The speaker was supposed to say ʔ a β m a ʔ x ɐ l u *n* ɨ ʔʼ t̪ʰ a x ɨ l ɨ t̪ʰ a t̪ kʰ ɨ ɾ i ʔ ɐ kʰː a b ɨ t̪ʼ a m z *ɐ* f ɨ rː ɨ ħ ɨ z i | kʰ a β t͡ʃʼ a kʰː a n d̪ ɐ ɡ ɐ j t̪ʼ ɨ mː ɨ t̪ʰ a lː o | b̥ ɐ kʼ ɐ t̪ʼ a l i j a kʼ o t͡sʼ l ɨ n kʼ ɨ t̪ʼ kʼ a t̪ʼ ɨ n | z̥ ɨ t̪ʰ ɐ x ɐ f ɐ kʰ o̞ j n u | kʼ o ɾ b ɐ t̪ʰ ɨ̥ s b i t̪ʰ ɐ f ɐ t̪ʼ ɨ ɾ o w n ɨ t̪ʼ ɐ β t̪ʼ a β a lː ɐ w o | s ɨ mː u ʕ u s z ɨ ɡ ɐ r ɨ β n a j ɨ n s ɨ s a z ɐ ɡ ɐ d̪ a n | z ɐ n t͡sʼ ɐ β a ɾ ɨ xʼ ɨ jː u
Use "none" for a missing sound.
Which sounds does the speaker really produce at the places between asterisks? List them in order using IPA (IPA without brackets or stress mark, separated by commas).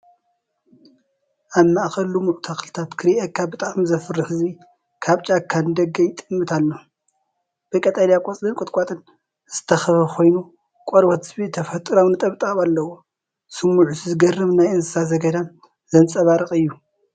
m, ɐ